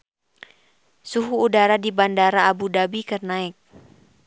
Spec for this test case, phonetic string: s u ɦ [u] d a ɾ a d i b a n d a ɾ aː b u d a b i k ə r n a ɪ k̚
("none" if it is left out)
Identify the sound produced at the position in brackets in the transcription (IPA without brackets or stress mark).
uː